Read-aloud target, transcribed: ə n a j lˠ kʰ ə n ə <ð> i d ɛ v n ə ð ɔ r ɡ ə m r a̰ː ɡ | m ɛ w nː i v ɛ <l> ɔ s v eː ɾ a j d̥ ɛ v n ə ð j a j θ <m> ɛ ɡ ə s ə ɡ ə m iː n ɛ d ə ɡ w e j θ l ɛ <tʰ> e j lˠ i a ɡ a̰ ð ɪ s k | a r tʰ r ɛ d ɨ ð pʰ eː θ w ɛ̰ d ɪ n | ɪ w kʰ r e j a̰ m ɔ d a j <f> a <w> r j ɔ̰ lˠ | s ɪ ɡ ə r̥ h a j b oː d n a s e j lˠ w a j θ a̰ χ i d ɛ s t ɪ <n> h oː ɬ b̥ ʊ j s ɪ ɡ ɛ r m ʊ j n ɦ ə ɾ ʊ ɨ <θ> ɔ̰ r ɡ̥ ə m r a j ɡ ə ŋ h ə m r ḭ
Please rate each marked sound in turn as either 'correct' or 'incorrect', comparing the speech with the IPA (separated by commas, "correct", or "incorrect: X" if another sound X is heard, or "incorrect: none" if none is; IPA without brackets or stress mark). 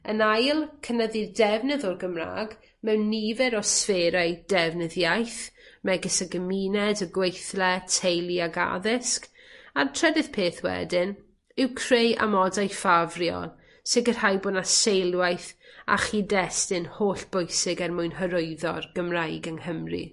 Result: correct, incorrect: ɾ, correct, correct, correct, incorrect: v, correct, incorrect: ð